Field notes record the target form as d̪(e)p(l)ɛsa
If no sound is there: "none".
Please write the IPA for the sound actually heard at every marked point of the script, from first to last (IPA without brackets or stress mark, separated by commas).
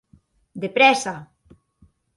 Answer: e, ɾ